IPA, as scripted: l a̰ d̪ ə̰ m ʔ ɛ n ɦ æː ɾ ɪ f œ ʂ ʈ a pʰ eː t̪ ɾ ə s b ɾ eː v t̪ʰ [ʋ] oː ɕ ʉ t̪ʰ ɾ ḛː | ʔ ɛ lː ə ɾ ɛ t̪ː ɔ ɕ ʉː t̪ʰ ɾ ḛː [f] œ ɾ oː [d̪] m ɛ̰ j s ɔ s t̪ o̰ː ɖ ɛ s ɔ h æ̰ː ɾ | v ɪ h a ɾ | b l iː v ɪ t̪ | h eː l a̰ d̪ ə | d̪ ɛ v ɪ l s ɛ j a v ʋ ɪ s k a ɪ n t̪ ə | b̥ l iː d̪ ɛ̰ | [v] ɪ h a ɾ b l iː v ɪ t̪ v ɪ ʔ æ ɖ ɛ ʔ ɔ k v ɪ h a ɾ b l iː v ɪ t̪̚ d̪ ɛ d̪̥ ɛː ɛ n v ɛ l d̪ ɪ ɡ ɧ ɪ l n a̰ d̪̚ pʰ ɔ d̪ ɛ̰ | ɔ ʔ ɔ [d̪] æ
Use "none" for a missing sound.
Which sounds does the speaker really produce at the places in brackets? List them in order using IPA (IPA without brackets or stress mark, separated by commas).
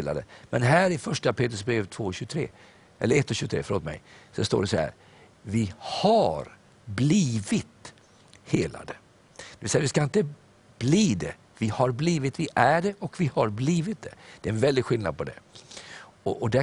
v, f, t̪, v, d̪